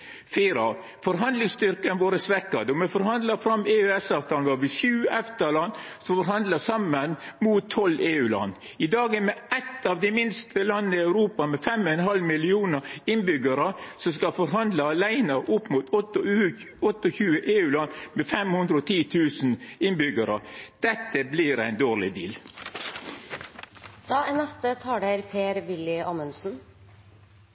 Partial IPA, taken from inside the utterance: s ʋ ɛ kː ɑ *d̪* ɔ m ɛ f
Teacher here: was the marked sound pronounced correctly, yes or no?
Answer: yes